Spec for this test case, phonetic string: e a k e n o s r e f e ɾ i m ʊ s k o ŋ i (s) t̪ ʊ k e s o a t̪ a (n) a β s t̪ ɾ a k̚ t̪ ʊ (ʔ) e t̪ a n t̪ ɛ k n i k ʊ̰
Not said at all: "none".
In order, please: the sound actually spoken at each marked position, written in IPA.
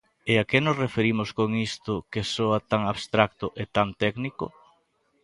s, ŋ, ʔ

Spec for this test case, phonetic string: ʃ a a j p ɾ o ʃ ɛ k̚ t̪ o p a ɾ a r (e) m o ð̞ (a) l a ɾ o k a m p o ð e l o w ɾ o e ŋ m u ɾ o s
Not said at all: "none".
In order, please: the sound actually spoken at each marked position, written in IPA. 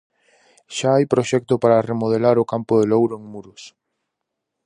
e, e

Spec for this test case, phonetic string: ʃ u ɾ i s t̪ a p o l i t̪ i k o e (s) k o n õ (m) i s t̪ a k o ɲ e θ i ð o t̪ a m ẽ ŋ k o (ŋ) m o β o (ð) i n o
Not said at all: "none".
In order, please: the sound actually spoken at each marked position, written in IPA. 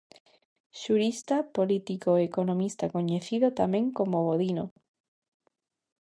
none, m, none, ð

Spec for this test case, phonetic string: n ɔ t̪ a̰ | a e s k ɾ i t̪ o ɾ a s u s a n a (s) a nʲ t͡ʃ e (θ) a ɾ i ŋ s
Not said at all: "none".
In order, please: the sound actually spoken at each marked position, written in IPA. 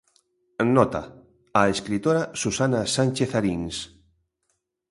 s, θ

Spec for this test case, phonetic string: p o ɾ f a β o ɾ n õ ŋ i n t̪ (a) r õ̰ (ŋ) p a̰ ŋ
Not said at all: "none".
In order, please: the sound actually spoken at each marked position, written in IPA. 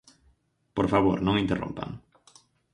e, m

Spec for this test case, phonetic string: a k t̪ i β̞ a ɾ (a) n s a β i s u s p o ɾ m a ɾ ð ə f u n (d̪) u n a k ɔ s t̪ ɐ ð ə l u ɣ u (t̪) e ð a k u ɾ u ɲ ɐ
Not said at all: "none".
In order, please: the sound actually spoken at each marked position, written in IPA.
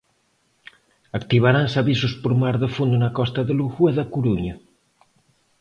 a, d̪, none

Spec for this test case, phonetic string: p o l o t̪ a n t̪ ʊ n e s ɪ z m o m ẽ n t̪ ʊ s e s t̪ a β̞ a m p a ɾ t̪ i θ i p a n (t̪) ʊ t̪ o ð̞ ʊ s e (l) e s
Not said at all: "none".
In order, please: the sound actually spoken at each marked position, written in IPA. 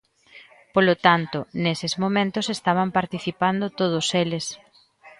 d̪, l

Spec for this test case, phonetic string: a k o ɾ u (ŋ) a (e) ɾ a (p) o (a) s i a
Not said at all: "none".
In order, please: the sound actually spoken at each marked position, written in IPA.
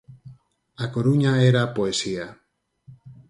ɲ, e, p, e

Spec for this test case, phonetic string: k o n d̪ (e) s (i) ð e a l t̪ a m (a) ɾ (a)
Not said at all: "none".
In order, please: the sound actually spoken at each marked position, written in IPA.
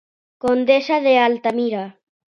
e, a, i, a

